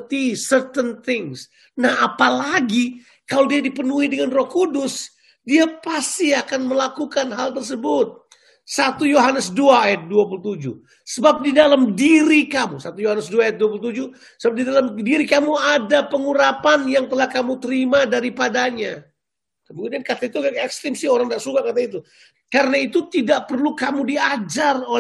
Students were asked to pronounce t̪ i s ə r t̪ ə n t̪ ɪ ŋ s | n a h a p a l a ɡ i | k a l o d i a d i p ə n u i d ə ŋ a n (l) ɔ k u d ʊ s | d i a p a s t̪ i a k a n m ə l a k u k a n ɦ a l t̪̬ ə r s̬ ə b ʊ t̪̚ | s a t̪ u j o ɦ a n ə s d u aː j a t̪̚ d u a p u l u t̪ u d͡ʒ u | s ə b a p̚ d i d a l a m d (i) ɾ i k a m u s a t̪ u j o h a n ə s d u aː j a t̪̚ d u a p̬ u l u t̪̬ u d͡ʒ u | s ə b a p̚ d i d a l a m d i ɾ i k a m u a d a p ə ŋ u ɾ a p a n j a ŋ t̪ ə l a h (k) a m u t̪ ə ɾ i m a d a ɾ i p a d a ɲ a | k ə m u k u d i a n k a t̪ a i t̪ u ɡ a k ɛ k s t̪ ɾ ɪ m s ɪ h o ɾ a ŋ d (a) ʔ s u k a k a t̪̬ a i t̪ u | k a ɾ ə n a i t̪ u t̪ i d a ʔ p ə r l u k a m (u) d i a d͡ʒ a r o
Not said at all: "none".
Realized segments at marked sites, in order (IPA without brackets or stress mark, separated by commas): r, i, k, a, u